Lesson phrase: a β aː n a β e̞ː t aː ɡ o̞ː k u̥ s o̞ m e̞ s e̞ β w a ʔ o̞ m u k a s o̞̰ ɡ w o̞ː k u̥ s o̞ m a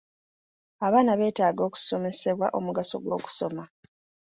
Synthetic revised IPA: a β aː n a β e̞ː t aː ɡ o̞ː k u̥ s o̞ m e̞ s e̞ β w a ʔ o̞ m u ɡ a s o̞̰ ɡ w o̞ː k u̥ s o̞ m a